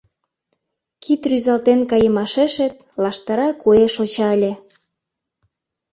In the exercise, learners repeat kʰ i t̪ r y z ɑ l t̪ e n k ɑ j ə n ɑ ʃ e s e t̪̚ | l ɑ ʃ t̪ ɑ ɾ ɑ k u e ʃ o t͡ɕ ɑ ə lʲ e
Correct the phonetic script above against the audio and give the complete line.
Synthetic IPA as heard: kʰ i t̪ r y z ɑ l t̪ e n k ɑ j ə m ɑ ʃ e ʃ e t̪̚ | l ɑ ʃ t̪ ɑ ɾ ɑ k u e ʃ o t͡ɕ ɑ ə lʲ e

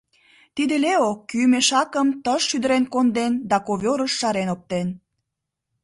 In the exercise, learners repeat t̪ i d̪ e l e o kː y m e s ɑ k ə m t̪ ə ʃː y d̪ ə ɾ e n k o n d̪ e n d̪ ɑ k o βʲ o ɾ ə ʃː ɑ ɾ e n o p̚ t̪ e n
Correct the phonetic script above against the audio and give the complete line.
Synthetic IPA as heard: t̪ i d̪ e l e o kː y m e ʃ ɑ k ə m t̪ ə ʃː y d̪ ə ɾ e n k o n d̪ e n d̪ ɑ k o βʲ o ɾ ə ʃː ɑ ɾ e n o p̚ t̪ e n

